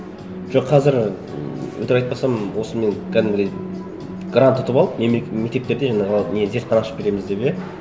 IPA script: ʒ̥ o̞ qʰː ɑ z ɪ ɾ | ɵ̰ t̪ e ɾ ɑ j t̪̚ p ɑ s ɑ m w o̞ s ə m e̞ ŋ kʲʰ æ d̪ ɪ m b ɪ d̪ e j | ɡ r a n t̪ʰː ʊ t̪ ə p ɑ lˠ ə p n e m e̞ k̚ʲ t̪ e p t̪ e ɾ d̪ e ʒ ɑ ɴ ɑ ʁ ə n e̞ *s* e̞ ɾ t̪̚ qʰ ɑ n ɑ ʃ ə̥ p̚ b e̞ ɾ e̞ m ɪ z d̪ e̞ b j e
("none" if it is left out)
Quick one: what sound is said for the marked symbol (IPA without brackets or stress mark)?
z